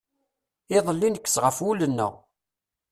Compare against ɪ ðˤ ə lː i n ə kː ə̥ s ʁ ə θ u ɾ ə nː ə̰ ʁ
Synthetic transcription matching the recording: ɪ ðˤ ə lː i n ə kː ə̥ s ʁ ə f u l ə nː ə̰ ʁ